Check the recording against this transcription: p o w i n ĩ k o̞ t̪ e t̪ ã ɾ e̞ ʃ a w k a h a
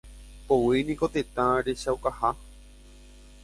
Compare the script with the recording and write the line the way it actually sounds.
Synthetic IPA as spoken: p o w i n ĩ k o̞ t̪ e t̪ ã ɾ e̞ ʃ a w k a h a